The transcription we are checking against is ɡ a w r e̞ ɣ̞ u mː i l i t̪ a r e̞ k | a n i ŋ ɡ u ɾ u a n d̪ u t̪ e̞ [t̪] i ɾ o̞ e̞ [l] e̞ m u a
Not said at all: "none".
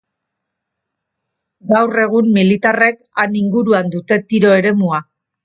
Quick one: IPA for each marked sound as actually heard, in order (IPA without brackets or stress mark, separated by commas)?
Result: t̪, ɾ